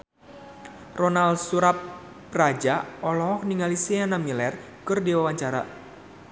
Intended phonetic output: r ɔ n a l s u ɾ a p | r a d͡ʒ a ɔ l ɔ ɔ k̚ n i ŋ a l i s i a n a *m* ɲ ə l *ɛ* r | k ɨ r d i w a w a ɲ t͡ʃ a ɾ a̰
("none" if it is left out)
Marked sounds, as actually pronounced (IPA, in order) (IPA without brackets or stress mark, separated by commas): m, ɛ